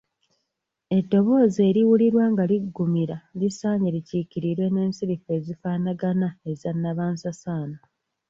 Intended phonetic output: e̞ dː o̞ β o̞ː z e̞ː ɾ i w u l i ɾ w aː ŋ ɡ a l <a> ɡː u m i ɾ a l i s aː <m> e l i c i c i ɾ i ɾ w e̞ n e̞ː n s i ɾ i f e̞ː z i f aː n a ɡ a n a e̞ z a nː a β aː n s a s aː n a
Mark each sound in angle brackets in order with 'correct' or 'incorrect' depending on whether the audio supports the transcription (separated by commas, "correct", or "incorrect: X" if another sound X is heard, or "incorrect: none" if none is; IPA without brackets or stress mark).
incorrect: i, incorrect: ɲ